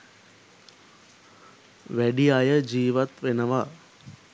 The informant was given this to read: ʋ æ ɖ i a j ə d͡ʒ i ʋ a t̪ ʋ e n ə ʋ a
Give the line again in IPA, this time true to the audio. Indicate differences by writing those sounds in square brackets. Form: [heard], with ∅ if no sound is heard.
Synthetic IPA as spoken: ʋ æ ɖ i a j ə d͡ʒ [iː] ʋ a t̪ ʋ e n ə ʋ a